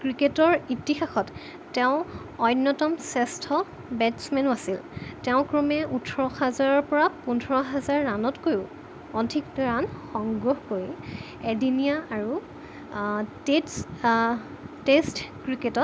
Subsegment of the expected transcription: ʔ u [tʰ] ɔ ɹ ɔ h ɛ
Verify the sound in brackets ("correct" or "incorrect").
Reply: correct